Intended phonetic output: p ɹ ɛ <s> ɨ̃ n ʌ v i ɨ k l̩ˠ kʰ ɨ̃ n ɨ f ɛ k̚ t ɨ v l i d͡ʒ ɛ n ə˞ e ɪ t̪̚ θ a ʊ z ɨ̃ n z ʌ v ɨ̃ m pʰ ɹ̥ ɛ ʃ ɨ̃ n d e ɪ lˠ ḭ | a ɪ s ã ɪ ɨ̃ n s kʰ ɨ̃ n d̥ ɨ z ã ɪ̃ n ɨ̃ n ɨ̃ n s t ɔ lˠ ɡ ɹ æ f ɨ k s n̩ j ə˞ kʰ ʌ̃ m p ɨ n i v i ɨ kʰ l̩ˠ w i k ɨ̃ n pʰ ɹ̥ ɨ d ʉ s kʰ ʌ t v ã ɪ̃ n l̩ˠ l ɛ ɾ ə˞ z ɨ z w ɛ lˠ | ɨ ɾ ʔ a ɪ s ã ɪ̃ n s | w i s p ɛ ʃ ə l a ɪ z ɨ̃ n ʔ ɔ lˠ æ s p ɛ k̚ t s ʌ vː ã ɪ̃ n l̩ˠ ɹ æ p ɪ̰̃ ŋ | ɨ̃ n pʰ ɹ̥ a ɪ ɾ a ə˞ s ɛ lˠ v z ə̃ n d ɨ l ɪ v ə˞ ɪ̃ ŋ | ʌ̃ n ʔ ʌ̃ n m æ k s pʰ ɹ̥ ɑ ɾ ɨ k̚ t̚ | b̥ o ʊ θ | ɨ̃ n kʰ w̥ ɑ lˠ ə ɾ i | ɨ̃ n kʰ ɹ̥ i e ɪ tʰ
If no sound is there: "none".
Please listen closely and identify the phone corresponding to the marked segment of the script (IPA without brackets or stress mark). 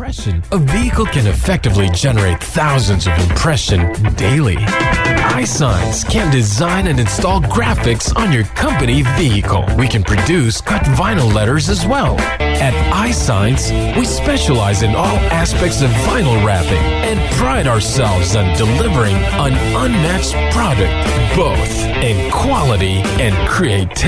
ʃ